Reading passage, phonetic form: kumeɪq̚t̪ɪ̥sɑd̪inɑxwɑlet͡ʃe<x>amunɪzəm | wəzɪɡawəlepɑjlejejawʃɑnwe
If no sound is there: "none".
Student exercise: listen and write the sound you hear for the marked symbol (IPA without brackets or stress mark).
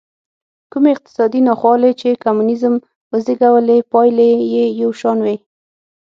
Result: k